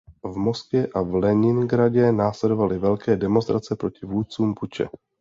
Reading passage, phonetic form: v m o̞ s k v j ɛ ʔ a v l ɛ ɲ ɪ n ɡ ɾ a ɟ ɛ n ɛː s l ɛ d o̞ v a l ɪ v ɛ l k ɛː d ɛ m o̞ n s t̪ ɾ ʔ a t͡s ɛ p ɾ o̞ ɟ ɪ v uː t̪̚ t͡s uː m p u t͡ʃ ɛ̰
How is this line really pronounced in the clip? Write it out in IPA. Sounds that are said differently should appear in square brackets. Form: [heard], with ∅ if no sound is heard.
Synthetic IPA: v m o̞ s k v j ɛ ʔ a v l ɛ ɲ ɪ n ɡ ɾ a ɟ ɛ n [aː] s l ɛ d o̞ v a l ɪ v ɛ l k ɛː d ɛ m o̞ n s t̪ ɾ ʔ a t͡s ɛ p ɾ o̞ [c] ɪ v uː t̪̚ t͡s uː m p u t͡ʃ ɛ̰